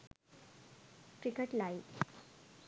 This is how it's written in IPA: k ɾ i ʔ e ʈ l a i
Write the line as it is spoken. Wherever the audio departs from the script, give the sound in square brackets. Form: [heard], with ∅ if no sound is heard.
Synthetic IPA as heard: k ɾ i [k] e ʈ l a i